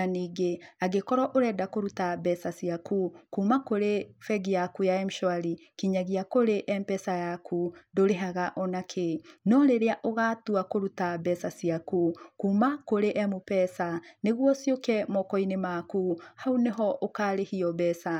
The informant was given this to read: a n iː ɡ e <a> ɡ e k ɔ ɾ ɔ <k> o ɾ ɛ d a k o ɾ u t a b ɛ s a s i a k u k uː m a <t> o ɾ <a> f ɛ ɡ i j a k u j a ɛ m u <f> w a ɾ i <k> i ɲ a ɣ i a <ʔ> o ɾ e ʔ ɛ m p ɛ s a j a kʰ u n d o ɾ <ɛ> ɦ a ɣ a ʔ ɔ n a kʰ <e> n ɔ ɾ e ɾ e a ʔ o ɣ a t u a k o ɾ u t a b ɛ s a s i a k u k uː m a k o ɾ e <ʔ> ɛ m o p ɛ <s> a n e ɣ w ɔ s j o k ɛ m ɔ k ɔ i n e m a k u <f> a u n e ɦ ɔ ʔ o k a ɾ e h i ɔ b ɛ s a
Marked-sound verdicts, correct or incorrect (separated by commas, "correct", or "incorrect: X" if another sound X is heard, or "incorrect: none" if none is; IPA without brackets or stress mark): correct, incorrect: ʔ, incorrect: k, incorrect: e, incorrect: ʃ, correct, incorrect: k, incorrect: e, correct, correct, correct, incorrect: h